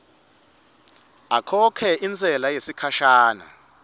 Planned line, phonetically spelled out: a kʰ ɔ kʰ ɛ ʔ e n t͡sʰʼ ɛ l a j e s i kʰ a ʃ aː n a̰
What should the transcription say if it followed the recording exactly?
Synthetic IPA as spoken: a kʰ ɔ kʰ ɛ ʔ i n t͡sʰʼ ɛ l a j e s i kʰ a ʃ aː n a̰